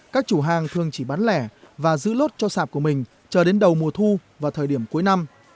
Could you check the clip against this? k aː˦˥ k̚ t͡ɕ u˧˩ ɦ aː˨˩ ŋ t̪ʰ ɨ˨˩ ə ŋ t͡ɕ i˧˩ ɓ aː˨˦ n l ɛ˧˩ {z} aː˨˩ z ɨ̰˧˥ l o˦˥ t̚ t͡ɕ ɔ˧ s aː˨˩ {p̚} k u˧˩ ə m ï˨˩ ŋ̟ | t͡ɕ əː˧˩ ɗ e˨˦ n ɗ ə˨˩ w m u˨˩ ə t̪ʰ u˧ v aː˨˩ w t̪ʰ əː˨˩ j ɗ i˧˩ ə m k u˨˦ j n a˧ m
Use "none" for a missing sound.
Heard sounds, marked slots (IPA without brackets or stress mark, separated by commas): v, p̚